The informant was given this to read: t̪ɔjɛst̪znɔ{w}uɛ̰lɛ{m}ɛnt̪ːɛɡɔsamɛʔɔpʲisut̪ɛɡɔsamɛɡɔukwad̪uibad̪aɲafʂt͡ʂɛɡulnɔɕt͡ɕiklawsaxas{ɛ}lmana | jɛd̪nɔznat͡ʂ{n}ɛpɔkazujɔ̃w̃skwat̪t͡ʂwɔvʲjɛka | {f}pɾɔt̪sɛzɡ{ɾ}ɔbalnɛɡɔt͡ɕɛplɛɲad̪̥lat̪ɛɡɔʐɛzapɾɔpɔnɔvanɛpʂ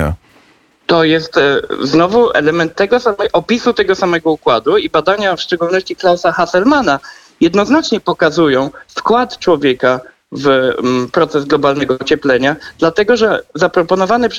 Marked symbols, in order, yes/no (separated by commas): no, yes, yes, no, no, no